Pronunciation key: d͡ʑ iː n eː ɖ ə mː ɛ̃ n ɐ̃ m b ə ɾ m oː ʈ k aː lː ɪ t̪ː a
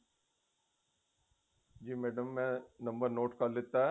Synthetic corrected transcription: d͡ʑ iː m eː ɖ ə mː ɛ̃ n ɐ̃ m b ə ɾ n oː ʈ k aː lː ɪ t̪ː a